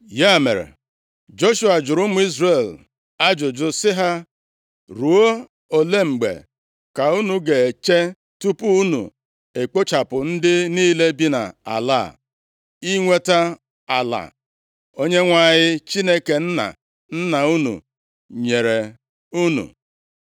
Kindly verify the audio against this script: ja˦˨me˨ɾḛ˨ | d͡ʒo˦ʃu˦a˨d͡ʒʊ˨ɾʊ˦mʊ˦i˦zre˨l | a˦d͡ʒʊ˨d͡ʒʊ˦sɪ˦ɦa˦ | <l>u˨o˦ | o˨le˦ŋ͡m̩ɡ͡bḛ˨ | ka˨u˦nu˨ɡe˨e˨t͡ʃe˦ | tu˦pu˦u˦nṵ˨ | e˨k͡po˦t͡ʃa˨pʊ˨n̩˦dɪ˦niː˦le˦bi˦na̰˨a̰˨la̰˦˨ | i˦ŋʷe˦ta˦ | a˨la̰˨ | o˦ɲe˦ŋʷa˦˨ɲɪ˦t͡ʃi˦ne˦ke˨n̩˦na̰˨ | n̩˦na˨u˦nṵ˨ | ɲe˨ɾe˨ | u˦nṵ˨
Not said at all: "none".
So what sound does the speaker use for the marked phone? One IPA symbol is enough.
ɾ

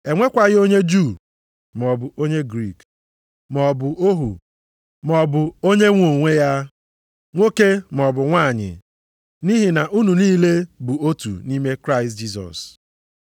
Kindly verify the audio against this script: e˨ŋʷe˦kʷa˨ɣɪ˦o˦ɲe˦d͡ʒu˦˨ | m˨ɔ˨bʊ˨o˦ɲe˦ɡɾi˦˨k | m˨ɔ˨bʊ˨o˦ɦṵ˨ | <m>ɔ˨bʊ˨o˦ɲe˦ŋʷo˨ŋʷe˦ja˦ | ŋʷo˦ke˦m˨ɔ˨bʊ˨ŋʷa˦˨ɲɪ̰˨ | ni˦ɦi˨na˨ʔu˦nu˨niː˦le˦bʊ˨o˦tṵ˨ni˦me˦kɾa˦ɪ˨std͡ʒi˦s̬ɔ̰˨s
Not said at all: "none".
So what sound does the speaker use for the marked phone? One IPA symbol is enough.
m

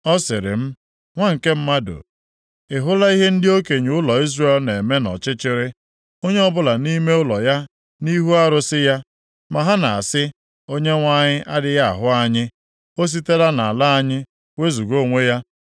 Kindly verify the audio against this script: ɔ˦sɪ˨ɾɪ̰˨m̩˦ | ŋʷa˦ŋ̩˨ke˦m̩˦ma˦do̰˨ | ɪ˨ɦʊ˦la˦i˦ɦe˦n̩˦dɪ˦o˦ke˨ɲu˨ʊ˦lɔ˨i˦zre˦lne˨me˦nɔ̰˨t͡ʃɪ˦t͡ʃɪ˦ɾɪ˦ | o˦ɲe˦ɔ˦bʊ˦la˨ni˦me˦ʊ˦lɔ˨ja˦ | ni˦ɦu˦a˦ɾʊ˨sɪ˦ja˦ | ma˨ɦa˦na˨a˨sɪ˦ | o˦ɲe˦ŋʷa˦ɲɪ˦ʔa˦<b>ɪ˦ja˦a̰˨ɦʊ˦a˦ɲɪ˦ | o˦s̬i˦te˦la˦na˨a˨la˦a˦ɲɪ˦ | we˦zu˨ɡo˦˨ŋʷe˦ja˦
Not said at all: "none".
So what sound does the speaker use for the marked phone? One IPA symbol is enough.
d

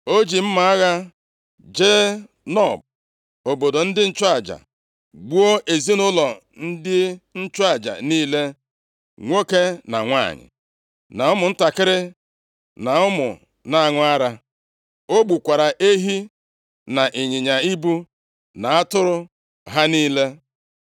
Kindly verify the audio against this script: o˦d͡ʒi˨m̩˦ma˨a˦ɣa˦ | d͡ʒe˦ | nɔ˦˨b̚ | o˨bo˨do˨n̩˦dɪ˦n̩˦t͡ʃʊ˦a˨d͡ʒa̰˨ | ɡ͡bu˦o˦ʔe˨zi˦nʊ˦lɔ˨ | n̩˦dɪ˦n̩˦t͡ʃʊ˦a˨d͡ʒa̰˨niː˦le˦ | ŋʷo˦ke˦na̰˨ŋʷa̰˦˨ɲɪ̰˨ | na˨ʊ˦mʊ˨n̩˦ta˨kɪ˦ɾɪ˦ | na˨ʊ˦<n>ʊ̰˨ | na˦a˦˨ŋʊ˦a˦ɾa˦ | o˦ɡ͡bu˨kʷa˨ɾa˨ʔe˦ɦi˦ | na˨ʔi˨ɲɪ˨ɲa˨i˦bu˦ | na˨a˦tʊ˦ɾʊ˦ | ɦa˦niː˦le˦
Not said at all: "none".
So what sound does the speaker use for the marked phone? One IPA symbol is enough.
m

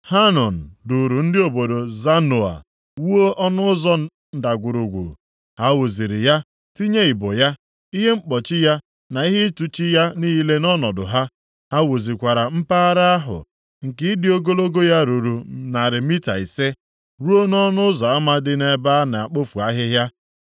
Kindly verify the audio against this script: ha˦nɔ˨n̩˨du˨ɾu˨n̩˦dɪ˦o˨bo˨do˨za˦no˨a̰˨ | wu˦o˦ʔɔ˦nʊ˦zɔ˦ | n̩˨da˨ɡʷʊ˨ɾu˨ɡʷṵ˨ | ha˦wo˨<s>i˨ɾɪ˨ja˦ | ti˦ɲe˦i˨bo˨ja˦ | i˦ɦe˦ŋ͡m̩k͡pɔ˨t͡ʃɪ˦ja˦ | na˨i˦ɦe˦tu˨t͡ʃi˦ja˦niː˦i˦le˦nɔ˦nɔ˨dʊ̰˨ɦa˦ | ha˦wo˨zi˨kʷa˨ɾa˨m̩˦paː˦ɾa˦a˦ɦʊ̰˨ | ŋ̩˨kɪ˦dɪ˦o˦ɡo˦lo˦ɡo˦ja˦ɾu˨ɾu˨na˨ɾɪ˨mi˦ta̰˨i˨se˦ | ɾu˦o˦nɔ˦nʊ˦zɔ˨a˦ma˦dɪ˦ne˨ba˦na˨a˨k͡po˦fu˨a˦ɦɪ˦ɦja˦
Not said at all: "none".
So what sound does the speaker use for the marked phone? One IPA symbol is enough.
z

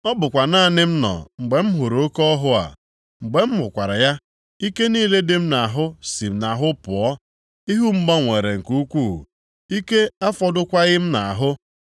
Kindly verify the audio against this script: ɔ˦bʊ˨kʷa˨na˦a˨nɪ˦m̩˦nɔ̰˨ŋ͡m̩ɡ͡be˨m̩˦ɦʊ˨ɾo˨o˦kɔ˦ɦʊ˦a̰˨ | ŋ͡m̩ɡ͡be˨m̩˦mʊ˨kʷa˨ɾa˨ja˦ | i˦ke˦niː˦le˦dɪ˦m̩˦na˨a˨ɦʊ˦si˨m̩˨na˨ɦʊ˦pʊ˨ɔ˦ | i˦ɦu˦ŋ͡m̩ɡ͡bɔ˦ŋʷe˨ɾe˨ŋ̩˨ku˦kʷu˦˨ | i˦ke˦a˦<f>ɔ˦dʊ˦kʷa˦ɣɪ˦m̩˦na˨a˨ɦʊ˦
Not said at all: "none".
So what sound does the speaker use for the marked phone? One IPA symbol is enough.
f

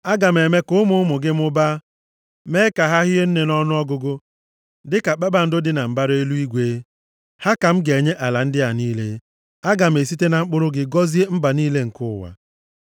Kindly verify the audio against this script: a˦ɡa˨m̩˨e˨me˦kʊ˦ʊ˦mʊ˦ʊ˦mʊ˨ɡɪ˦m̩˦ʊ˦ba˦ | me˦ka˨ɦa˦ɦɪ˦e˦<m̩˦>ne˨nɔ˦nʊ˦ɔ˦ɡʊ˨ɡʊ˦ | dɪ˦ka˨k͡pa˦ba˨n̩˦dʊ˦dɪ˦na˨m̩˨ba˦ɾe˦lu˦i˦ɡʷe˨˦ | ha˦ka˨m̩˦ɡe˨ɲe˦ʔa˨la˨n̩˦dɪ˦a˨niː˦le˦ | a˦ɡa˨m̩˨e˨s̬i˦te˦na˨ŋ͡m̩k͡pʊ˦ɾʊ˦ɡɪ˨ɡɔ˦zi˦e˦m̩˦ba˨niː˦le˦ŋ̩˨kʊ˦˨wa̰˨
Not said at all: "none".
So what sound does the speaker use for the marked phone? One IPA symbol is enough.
n̩˦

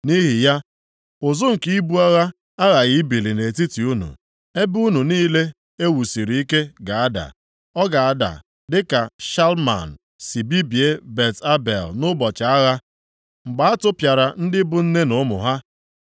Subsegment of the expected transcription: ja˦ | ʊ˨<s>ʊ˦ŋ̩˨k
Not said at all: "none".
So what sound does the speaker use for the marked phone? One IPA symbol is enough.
z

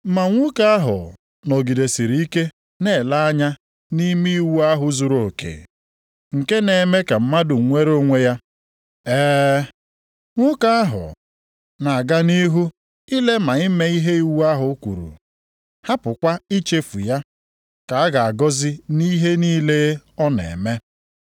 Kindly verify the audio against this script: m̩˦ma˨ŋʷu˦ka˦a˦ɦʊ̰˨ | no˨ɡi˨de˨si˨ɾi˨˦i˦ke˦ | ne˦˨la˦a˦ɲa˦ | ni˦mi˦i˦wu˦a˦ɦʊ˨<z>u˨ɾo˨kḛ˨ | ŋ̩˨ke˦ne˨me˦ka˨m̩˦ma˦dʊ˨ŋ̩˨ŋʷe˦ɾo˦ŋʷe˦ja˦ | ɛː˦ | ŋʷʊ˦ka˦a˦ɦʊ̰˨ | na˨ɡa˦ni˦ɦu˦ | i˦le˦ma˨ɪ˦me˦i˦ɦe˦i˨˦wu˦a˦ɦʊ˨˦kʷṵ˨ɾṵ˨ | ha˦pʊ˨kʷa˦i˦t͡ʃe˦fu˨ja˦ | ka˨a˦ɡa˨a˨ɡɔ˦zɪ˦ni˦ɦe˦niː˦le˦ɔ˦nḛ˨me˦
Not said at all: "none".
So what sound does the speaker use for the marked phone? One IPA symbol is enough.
z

